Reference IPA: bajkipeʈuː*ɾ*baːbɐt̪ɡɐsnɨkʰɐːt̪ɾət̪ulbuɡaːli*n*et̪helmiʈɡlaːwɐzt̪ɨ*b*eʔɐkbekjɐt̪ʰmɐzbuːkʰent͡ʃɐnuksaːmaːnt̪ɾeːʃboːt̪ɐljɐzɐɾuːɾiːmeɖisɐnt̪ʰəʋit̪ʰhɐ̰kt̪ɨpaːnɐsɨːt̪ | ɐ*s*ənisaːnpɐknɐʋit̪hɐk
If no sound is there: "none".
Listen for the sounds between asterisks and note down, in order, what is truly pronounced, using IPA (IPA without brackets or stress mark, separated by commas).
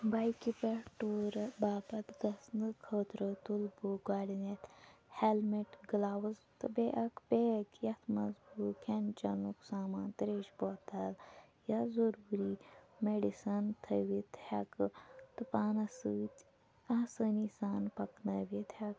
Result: ɾ, n, b, s